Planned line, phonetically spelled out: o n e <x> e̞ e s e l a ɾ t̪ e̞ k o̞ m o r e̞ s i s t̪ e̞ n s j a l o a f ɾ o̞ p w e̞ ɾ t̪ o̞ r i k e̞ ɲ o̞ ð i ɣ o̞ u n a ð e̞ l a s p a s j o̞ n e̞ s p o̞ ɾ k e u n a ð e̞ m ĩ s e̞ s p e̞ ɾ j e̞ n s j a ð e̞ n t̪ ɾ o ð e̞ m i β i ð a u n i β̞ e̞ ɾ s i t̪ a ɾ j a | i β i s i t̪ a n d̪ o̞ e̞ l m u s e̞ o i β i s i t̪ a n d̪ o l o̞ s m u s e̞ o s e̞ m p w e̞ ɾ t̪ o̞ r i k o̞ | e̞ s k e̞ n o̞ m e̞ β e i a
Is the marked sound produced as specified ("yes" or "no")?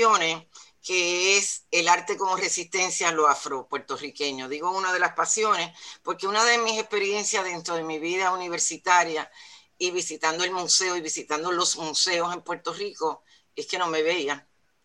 no